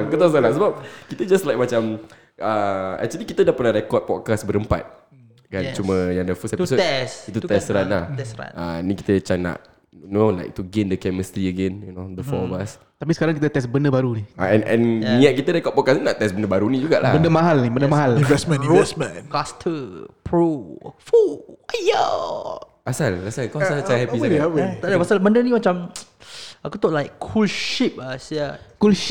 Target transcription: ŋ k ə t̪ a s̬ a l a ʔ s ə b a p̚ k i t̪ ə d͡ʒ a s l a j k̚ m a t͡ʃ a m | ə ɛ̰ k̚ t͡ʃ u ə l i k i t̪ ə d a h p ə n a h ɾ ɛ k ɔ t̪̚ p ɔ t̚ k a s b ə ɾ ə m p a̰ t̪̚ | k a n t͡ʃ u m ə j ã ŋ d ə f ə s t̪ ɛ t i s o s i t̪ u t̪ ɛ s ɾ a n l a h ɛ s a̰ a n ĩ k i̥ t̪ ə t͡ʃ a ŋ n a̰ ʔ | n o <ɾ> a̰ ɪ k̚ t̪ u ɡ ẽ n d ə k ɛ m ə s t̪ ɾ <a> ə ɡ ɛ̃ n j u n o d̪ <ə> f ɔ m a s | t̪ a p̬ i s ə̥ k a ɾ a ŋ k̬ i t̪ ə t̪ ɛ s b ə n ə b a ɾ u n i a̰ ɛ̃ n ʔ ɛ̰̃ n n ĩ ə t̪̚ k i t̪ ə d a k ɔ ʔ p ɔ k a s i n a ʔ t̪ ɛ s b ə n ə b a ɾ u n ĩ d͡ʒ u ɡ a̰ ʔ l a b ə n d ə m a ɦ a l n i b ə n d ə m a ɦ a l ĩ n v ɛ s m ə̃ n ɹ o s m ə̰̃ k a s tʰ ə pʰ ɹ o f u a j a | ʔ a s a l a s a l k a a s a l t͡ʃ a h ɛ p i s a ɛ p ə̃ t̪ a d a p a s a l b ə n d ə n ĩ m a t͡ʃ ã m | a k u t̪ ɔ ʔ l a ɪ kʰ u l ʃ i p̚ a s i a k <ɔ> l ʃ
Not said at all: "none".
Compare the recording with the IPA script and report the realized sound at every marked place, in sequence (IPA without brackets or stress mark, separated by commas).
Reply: l, i, ə, u